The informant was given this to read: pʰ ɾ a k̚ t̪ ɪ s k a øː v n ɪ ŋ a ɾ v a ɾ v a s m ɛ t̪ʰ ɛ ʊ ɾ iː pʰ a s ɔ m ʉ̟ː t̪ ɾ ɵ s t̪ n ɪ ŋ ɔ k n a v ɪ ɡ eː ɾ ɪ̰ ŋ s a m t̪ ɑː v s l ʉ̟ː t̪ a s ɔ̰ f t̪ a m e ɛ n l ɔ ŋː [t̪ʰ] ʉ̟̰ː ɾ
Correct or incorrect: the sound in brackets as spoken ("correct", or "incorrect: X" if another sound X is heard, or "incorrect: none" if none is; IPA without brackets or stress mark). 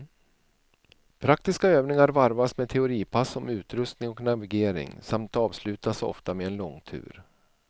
correct